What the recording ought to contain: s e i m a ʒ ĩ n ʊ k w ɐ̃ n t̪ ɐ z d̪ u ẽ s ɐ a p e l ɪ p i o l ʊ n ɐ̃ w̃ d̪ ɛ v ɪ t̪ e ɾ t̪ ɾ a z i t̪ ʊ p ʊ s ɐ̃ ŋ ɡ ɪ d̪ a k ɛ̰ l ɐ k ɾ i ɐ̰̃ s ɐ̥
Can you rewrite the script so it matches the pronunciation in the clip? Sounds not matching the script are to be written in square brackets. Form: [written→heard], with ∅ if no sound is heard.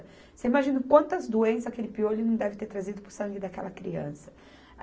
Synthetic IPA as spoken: s e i m a ʒ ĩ n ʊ k w ɐ̃ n t̪ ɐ z d̪ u ẽ s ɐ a [p→k] e l ɪ p i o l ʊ n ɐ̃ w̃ d̪ ɛ v ɪ t̪ e ɾ t̪ ɾ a z i [t̪→d̪] ʊ p ʊ s ɐ̃ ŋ ɡ ɪ d̪ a k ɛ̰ l ɐ k ɾ i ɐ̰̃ s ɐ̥